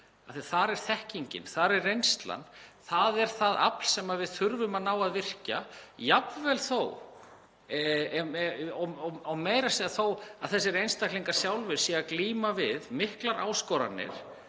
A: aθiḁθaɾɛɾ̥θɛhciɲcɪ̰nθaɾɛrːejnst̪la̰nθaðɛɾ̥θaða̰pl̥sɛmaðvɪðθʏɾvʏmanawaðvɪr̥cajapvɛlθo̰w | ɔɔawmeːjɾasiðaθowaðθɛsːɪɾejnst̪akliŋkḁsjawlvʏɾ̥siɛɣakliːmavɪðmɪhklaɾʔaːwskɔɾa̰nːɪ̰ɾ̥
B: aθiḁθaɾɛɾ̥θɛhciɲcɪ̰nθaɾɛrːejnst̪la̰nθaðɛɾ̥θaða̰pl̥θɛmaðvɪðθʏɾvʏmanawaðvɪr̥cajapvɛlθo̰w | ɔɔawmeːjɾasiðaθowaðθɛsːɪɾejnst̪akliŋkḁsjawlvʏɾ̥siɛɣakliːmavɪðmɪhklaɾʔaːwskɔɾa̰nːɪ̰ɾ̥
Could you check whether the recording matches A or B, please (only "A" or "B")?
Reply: A